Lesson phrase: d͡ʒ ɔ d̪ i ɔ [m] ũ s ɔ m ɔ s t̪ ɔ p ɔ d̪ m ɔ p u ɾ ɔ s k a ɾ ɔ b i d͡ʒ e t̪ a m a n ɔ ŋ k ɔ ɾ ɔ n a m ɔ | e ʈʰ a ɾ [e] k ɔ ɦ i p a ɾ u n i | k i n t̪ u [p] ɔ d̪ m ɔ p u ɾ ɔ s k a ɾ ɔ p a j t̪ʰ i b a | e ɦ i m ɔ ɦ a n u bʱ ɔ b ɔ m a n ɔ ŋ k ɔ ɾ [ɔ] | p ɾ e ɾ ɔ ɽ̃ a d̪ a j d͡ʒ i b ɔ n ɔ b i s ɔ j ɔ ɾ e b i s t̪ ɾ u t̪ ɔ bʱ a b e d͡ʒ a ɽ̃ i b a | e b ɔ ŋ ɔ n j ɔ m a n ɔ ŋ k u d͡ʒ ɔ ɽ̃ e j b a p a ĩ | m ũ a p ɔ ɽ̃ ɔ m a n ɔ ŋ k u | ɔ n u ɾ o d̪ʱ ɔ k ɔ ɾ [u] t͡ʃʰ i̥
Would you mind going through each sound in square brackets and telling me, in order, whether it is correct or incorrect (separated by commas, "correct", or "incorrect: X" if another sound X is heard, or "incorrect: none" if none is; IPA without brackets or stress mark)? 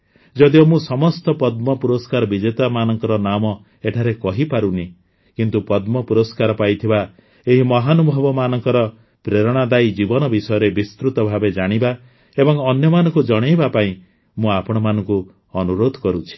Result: correct, correct, correct, correct, correct